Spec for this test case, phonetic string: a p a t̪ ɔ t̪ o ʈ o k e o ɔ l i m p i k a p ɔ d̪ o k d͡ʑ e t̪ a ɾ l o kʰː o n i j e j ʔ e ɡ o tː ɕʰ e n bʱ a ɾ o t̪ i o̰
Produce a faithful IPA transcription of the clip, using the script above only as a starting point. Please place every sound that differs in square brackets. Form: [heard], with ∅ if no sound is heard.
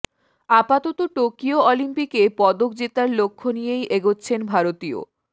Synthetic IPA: a p a t̪ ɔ t̪ o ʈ o k [i] o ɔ l i m p i k [e] p ɔ d̪ o k d͡ʑ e t̪ a ɾ l o kʰː o n i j e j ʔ e ɡ o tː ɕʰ e n bʱ a ɾ o t̪ i o̰